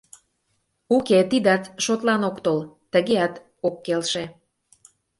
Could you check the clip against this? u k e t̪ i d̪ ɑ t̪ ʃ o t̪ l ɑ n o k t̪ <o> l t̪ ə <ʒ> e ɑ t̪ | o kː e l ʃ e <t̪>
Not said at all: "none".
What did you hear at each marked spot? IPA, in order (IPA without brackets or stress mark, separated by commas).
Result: o, ɣ, none